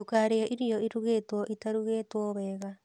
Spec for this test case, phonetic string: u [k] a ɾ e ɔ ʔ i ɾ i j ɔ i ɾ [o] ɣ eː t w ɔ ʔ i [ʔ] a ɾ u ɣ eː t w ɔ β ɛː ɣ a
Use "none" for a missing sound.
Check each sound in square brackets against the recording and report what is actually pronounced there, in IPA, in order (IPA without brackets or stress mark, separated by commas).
k, u, t